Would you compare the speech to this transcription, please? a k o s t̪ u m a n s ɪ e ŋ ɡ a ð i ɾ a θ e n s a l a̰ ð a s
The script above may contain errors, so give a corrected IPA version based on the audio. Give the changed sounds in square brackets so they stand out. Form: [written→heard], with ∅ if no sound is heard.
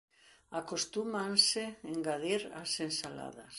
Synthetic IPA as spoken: a k o s t̪ u m a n s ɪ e ŋ ɡ a ð i ɾ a [θ→s] e n s a l a̰ ð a s